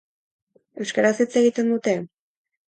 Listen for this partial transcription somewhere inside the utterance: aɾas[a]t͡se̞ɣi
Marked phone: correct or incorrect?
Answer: incorrect: i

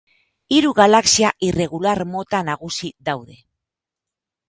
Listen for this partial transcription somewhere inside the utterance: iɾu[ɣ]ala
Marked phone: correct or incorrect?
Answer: correct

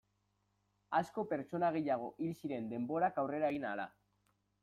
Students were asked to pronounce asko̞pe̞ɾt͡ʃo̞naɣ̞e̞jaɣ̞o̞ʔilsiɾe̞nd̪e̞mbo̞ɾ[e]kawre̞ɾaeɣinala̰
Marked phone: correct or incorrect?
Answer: incorrect: a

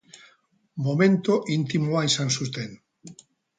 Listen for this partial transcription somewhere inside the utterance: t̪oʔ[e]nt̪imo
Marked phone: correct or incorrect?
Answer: incorrect: i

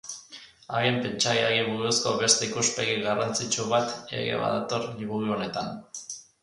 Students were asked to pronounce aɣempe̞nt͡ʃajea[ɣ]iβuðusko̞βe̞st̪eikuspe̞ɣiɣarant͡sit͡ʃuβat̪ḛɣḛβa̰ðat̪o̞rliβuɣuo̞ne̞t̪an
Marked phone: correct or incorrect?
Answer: correct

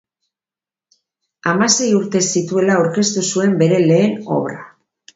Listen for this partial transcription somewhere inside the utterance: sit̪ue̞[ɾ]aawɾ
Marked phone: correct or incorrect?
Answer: incorrect: l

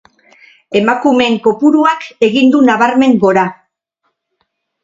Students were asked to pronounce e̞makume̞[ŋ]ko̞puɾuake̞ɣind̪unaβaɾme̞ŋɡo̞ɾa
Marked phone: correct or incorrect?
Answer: correct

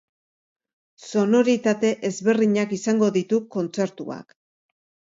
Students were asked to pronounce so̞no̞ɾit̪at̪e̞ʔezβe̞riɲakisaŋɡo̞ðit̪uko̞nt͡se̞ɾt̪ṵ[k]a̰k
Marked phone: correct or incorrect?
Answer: incorrect: none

